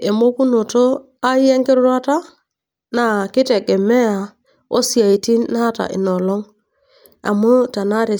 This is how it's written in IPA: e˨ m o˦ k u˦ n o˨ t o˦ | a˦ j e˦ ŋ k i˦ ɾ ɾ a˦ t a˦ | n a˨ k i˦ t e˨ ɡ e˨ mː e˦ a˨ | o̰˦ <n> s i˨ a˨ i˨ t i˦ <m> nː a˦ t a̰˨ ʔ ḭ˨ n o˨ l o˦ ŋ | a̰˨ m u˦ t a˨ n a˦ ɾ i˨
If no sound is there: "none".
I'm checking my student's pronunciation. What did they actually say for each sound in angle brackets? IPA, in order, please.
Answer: none, none

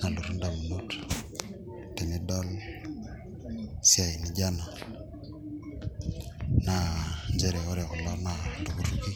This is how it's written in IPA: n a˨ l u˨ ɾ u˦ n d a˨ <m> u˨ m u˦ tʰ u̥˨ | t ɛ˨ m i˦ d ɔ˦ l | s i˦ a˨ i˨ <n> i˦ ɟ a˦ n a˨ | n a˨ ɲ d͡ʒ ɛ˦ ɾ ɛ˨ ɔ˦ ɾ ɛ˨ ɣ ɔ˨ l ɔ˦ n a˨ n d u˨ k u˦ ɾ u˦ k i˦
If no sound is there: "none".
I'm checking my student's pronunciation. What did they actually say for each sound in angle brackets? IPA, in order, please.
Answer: m, n

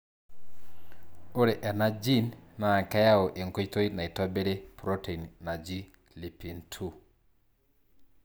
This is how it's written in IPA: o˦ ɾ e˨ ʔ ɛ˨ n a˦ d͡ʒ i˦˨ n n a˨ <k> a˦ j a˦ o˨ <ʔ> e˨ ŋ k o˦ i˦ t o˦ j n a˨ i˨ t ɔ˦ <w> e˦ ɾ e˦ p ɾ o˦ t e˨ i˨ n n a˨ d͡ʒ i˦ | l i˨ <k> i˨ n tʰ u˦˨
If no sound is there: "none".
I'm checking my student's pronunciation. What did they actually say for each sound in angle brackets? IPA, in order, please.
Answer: k, ʔ, b, p

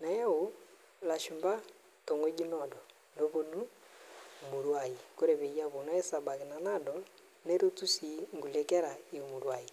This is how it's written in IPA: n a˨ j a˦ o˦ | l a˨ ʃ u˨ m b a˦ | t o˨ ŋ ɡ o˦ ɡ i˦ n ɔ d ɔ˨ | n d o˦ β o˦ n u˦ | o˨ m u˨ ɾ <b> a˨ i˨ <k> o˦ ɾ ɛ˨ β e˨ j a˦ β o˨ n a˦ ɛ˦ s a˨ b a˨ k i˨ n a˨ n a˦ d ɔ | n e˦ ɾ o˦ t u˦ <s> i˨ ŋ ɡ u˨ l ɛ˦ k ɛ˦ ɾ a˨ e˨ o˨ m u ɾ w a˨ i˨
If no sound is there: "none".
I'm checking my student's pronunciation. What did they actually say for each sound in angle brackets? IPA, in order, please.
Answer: w, k, s

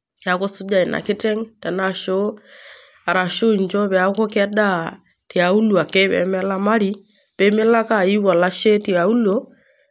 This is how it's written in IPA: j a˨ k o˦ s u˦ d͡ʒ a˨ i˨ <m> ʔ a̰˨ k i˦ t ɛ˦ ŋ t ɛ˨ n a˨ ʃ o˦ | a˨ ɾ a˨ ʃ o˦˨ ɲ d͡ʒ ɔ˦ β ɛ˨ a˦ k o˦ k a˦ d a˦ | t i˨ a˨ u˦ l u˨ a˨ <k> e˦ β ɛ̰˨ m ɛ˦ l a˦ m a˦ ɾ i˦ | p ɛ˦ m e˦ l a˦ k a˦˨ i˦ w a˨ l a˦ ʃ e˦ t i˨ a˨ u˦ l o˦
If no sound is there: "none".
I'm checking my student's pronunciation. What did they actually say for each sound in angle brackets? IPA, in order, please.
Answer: n, k

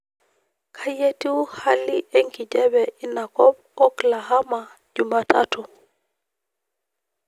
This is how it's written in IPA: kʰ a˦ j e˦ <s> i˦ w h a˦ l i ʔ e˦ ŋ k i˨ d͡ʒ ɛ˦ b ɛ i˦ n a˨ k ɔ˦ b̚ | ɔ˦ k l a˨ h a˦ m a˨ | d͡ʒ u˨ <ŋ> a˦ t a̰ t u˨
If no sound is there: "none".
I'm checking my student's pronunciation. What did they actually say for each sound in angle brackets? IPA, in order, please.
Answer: t, m

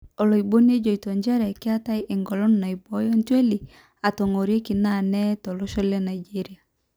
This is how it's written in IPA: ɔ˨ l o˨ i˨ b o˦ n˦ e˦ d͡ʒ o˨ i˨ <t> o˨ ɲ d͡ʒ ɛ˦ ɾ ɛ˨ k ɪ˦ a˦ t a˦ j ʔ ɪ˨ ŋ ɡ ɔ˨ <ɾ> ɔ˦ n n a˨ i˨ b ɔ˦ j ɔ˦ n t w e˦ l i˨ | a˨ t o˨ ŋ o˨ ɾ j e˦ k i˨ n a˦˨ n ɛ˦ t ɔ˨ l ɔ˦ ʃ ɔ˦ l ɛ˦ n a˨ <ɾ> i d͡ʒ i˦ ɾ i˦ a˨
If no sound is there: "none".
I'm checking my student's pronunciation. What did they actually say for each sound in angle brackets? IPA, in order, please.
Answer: t, l, none

